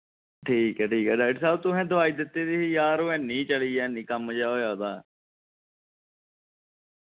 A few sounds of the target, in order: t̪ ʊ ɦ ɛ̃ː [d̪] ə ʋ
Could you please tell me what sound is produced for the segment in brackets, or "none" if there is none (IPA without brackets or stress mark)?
d̪